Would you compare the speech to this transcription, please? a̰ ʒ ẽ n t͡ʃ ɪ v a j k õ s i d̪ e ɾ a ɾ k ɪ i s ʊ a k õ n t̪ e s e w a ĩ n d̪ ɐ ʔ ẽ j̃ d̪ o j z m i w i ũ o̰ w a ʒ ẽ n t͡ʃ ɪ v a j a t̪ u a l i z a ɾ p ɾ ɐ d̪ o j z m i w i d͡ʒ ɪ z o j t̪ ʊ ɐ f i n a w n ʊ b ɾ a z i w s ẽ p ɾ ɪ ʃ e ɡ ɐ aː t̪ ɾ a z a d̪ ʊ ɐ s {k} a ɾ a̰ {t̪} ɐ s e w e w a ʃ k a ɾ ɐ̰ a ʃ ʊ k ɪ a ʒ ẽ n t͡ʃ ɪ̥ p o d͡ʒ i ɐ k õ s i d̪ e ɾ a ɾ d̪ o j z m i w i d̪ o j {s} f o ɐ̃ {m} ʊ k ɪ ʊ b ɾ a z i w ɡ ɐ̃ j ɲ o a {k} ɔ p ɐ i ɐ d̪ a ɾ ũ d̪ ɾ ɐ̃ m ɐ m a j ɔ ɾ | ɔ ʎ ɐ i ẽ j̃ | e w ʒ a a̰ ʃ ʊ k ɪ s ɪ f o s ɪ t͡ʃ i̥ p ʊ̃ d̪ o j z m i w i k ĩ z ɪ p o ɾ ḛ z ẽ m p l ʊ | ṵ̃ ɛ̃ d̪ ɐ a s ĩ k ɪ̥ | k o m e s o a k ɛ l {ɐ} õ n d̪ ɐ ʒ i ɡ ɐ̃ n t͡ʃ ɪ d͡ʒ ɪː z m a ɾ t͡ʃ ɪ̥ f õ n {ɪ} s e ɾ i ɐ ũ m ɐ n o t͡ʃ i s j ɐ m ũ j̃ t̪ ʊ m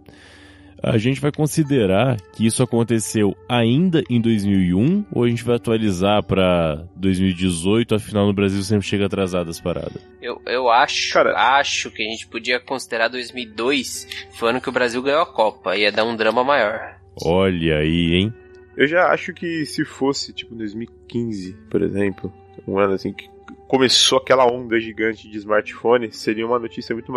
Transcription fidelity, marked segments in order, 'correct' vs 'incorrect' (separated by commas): incorrect, incorrect, correct, incorrect, correct, correct, correct